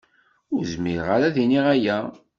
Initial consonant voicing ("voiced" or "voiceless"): voiced